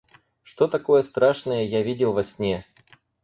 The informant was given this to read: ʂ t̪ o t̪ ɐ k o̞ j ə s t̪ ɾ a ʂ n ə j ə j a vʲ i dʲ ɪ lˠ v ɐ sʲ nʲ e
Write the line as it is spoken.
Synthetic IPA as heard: ʂ t̪ o t̪ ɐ k o̞ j ə s t̪ ɾ a ʂ n ə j ə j a vʲ i dʲ ɪ lˠ v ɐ sʲ nʲ e